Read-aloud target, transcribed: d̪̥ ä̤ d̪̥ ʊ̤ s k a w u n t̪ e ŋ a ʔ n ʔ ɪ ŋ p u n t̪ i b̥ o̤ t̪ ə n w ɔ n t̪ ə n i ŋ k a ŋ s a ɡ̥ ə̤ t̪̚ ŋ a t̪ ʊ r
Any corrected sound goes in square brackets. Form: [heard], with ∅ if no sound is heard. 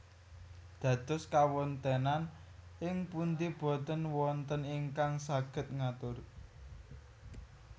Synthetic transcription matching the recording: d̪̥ ä̤ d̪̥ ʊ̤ s k a w [ɔ] n t̪ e [n] a [∅] n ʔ ɪ ŋ p u n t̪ i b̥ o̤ t̪ ə n w ɔ n t̪ ə n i ŋ k a ŋ s a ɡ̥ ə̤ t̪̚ ŋ a t̪ ʊ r